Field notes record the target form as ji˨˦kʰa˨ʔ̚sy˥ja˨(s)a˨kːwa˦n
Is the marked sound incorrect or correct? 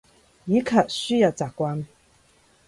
incorrect